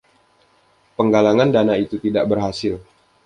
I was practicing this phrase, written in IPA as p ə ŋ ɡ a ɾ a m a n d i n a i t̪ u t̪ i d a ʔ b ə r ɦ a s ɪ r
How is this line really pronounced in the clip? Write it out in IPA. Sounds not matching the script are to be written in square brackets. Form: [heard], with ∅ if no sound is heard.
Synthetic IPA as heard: p ə ŋ ɡ a [l] a [ŋ] a n d [a] n a i t̪ u t̪ i d a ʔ b ə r ɦ a s ɪ [l]